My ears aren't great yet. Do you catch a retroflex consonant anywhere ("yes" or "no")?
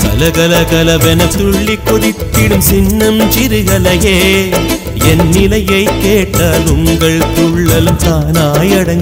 yes